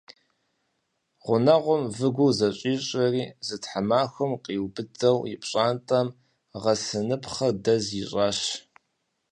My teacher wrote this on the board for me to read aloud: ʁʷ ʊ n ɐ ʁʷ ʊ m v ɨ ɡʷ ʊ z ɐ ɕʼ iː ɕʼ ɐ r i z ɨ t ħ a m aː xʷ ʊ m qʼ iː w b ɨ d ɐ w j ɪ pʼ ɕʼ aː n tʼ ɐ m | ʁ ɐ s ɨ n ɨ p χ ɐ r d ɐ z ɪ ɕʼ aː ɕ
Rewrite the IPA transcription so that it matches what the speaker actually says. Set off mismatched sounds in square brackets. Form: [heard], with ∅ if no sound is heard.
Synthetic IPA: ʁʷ ʊ n ɐ ʁʷ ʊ m v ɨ ɡʷ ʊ z ɐ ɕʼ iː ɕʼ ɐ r [iː] z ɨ t ħ a m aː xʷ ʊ m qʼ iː w b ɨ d ɐ w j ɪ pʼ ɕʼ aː n tʼ ɐ m | ʁ ɐ s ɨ n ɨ p χ ɐ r d ɐ z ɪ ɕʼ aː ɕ